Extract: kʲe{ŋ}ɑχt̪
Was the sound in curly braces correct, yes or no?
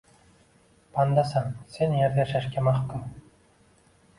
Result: no